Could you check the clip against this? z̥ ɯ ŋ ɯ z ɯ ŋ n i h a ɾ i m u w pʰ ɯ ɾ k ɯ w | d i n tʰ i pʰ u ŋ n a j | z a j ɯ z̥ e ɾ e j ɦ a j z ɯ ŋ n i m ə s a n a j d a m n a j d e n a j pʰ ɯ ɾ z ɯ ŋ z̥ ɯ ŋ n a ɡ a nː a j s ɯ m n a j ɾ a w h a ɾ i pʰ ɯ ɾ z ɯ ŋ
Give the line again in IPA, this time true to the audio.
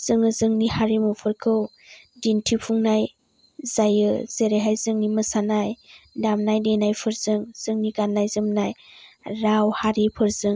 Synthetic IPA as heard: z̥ ɯ ŋ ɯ z ɯ ŋ n i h a ɾ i m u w pʰ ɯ ɾ kʰ ɯ w | d i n tʰ i pʰ u ŋ n a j | z a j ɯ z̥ e ɾ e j ɦ a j z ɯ ŋ n i m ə s a n a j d a m n a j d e n a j pʰ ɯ ɾ z ɯ ŋ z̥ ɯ ŋ n i ɡ a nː a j z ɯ m n a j ɾ a w h a ɾ i pʰ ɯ ɾ z ɯ ŋ

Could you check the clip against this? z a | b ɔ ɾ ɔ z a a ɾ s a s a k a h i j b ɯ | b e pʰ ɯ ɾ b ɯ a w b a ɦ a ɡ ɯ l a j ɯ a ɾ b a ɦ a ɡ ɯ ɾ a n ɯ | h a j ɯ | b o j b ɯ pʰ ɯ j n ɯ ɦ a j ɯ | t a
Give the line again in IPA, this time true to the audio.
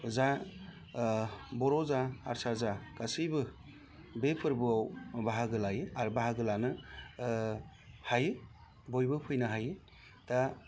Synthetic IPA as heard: z a | b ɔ ɾ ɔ z a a ɾ s a z a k a s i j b ɯ | b e pʰ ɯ ɾ b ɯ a w b a ɦ a ɡ ɯ l a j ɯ a ɾ b a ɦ a ɡ ɯ l a n ɯ | h a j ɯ | b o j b ɯ pʰ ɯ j n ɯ ɦ a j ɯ | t a

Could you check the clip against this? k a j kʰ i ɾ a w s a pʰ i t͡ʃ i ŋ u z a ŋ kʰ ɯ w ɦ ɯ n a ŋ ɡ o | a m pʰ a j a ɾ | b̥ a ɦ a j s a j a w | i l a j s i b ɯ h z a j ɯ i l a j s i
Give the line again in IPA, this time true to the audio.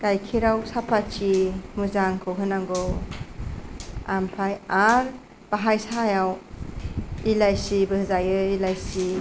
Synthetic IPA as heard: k a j kʰ i ɾ a w s a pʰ a t͡ʃ i m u z a ŋ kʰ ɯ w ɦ ɯ n a ŋ ɡ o | a m pʰ a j a ɾ | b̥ a ɦ a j s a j a w | i l a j s i b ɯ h z a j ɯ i l a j s i

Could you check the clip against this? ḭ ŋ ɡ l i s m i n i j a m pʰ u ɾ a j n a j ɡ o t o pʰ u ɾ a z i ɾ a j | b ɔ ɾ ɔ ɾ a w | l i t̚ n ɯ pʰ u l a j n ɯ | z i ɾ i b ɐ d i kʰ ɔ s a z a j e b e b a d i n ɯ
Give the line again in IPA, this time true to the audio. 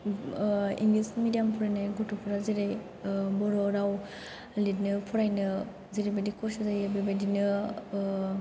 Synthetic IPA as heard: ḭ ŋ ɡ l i s m i d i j a m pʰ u ɾ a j n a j ɡ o t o pʰ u ɾ a z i ɾ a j | b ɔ ɾ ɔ ɾ a w | l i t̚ n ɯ pʰ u ɾ a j n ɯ | z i ɾ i b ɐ d i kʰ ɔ s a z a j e b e b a d i n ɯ

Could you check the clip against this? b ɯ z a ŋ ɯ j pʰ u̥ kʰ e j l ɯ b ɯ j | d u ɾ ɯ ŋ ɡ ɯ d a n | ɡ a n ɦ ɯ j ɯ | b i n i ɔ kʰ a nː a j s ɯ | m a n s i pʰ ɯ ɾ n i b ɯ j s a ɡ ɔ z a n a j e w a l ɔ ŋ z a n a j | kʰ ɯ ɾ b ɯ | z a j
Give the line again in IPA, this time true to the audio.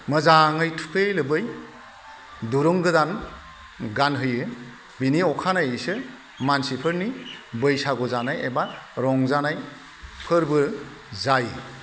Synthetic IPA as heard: m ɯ z a ŋ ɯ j tʰ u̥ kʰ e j l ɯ b ɯ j | d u ɾ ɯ ŋ ɡ ɯ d a n | ɡ a n ɦ ɯ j ɯ | b i n i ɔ kʰ a n a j s ɯ | m a n s i pʰ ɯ ɾ n i b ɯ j s a ɡ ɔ z a n a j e b a ɾ ɔ ŋ z a n a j | pʰ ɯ ɾ b ɯ | z a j

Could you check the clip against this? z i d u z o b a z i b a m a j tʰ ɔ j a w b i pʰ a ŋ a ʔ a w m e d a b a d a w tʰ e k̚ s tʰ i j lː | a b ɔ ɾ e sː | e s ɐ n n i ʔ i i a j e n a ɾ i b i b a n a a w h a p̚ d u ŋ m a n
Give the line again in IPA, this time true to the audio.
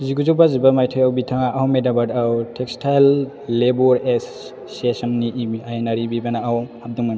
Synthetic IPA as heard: z i ɡ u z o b a z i b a m a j tʰ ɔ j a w b i tʰ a ŋ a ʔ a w m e d a b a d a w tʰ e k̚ s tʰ a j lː | e b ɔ ɾ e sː | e s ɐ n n i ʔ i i a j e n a ɾ i b i b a n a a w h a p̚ d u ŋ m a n

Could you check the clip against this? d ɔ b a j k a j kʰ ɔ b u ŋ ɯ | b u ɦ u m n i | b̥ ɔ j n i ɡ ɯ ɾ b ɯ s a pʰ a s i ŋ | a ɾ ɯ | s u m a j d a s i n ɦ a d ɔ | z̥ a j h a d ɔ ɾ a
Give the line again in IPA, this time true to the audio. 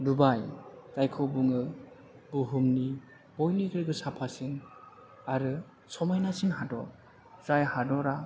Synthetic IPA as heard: d u b a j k a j kʰ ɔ b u ŋ ɯ | b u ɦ u m n i | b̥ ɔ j n i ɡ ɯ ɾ ɡ ɯ s a pʰ a s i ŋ | a ɾ ɯ | s ɔ m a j n a s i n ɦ a d ɔ | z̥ a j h a d ɔ ɾ a

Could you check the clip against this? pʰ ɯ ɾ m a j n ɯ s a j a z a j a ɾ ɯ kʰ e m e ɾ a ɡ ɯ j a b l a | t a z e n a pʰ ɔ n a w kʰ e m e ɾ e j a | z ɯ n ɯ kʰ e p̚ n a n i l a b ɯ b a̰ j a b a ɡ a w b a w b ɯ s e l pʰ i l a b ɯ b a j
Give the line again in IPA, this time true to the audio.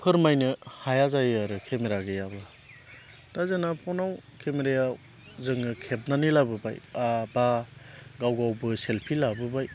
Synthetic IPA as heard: pʰ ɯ ɾ m a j n ɯ h a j a z a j a ɾ ɯ kʰ e m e ɾ a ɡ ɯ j a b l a | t a z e n a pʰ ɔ n a w kʰ e m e ɾ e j a | z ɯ ŋ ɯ kʰ e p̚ n a n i l a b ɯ b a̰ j a b a ɡ a w ɡ a w b ɯ s e l pʰ i l a b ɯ b a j

